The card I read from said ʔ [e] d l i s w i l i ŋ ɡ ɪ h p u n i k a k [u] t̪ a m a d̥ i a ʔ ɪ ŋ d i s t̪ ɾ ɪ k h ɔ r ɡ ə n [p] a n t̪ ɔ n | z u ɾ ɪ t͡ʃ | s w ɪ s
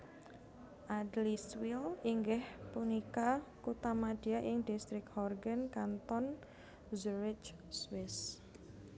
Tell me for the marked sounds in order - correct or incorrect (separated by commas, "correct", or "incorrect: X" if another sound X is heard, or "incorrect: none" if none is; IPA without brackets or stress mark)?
incorrect: a, correct, incorrect: k